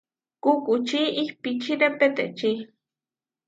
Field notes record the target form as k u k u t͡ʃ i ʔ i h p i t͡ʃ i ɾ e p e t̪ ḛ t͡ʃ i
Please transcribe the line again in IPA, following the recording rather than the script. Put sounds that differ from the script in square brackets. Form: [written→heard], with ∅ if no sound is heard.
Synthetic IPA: k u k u t͡ʃ i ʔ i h p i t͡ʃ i ɾ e p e t̪ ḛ t͡ʃ i